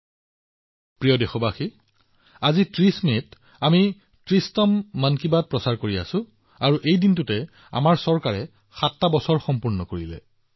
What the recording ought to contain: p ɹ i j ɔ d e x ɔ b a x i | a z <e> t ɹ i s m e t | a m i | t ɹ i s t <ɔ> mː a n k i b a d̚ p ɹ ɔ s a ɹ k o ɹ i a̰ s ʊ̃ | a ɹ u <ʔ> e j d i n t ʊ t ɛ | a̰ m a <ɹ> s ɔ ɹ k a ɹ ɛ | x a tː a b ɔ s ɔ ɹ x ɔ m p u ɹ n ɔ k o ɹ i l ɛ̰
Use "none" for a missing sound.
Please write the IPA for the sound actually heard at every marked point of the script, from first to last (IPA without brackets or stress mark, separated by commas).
i, ɔ, ʔ, ɹ